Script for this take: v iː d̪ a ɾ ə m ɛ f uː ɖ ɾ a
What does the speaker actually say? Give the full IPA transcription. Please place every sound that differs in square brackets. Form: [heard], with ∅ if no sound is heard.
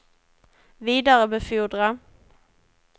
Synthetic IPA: v iː d̪ a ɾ ə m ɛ f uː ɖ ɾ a